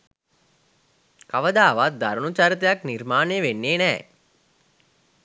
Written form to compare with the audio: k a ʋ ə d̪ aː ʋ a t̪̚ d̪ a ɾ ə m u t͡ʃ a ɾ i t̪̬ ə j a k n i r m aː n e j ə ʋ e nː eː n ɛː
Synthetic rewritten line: k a ʋ ə d̪ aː ʋ a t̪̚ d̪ a ɾ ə n u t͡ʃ a ɾ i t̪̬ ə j a k n i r m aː n e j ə ʋ e nː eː n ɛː